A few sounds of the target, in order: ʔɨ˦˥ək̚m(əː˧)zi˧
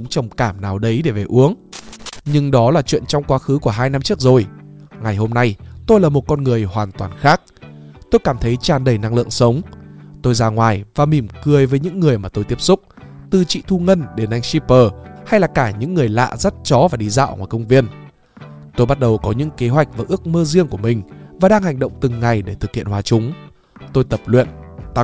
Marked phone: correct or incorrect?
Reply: correct